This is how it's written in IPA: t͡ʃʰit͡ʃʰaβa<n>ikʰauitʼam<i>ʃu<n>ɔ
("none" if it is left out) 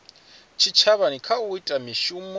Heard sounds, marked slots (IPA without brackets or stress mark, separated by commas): n, i, m